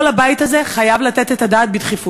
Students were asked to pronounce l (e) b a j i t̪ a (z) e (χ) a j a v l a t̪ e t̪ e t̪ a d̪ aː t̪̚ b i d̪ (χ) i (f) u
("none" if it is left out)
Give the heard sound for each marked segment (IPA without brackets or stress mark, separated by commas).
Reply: a, z, χ, χ, f